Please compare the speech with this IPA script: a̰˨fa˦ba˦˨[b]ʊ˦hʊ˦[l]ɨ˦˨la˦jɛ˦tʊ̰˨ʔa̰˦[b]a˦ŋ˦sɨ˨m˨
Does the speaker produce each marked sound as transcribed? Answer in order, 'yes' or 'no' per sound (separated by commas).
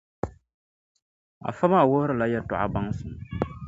no, no, yes